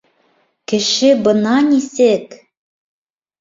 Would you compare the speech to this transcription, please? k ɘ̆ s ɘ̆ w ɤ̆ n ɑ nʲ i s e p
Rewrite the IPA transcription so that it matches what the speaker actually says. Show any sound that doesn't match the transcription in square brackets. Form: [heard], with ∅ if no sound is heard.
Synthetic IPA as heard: k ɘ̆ [ʃ] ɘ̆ [b] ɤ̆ n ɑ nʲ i s e [k]

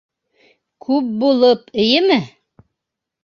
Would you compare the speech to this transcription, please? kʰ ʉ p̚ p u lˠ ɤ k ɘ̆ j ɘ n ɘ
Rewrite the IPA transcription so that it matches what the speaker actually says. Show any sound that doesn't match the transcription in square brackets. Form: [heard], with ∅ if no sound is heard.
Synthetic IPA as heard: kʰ ʉ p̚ [b] u lˠ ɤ [p] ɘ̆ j ɘ [m] ɘ

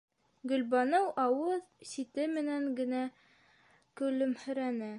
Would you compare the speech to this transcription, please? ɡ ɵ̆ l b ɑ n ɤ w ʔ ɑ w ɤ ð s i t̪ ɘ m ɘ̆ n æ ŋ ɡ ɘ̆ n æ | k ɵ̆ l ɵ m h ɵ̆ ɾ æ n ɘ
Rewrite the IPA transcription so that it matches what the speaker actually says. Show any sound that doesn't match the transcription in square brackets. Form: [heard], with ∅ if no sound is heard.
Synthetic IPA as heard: ɡ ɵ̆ l b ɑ n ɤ w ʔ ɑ w ɤ ð s i t̪ ɘ m ɘ̆ n æ ŋ ɡ ɘ̆ n æ | k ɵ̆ l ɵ m h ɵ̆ ɾ æ n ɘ

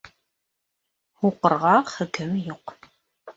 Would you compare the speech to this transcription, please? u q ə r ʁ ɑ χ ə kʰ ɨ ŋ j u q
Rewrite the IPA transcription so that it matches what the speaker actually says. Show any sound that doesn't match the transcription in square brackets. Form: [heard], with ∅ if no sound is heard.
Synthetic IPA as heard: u q ə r ʁ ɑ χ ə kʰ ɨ [m] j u q

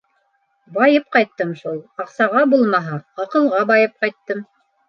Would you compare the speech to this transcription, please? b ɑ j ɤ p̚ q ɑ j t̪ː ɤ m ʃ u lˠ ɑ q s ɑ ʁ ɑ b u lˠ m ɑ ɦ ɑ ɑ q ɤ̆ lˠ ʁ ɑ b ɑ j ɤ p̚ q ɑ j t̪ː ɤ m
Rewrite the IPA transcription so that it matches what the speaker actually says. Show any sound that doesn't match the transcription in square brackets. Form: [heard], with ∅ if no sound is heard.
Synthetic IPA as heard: b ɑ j ɤ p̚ q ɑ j t̪ː ɤ m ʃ u lˠ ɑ q s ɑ ʁ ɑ b u lˠ m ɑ ɦ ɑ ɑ q ɤ̆ lˠ ʁ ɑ b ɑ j ɤ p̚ q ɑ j t̪ː ɤ m

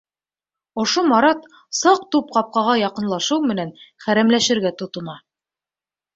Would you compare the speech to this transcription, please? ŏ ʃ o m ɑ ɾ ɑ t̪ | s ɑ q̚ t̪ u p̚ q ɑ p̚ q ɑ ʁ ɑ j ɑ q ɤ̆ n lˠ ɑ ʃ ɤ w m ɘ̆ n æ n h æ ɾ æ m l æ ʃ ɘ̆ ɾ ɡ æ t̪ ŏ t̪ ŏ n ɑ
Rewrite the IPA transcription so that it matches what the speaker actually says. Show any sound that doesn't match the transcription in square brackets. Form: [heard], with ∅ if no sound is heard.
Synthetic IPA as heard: ŏ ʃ o m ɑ ɾ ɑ t̪ | s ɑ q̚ t̪ u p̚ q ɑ p̚ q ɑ ʁ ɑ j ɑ q ɤ̆ n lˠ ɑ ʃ ɤ w m ɘ̆ n æ n [χ] æ ɾ æ m l æ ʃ ɘ̆ ɾ ɡ æ t̪ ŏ t̪ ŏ n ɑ

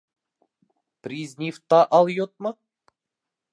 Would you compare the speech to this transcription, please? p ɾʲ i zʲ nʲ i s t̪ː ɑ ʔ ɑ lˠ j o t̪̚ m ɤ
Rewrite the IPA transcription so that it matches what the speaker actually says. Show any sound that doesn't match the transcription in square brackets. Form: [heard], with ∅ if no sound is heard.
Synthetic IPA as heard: p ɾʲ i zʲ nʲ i [f] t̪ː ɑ ʔ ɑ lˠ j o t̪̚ m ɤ

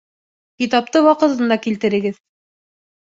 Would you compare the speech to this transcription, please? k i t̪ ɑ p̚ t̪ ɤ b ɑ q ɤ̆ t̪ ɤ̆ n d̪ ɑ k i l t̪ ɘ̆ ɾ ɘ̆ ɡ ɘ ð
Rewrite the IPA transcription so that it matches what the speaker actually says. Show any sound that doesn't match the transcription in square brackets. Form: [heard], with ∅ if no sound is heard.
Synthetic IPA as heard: k i t̪ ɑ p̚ t̪ ɤ [w] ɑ q ɤ̆ t̪ ɤ̆ n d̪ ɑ k i l t̪ ɘ̆ ɾ ɘ̆ ɡ ɘ ð

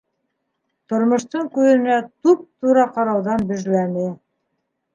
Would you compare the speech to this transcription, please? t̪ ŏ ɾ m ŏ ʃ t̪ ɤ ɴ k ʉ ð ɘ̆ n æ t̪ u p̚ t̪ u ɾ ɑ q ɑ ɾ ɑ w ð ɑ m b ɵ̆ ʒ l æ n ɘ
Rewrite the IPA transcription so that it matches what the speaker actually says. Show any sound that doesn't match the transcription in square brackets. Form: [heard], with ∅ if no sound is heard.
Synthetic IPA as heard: t̪ ŏ ɾ m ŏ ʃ t̪ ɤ ɴ k ʉ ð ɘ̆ n æ t̪ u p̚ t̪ u ɾ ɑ q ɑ ɾ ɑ w ð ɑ [n] b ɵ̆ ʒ l æ n ɘ

